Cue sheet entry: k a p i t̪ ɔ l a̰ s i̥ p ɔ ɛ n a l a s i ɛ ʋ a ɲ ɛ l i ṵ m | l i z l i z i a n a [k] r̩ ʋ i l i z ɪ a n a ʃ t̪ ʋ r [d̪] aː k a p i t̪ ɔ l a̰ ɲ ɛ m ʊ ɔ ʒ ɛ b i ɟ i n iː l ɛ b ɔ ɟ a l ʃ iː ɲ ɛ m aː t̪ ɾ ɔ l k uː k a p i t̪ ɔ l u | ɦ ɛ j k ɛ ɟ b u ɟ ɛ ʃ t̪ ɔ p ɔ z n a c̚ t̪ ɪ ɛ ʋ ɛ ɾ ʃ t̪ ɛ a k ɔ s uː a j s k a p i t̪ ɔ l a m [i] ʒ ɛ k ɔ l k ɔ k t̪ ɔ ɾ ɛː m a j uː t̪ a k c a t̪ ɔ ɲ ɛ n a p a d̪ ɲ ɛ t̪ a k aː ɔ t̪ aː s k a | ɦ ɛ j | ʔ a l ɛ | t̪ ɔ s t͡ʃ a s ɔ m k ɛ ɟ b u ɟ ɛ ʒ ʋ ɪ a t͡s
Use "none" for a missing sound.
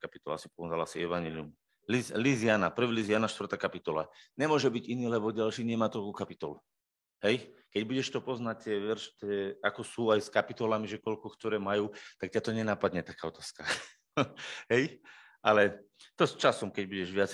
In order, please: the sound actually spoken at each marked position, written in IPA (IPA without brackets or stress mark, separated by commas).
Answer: p, t̪, i